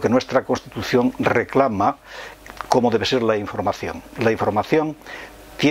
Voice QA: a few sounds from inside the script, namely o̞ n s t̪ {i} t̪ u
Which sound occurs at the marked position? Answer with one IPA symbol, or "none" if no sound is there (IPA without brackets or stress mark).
i